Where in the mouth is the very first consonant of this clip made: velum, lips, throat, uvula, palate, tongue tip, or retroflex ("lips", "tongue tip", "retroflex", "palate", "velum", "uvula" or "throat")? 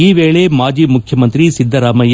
lips